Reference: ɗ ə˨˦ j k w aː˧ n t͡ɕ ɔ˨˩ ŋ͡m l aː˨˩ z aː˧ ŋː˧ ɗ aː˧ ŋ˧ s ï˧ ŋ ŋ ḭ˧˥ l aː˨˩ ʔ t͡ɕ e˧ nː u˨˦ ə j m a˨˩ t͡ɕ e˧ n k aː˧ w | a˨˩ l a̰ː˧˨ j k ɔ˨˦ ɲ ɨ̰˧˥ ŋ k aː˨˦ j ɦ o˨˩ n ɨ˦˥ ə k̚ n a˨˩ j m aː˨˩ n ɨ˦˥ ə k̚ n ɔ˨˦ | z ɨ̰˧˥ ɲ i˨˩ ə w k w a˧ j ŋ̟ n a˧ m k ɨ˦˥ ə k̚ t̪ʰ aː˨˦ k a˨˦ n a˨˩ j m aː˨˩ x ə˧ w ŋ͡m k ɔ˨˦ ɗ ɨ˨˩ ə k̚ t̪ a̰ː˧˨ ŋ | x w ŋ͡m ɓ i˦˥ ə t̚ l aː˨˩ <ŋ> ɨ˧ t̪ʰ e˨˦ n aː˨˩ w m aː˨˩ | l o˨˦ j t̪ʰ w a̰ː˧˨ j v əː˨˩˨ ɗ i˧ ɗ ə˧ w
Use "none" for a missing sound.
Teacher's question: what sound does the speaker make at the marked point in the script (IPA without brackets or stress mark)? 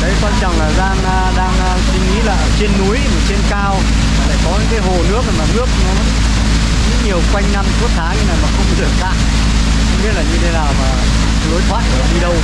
ɲ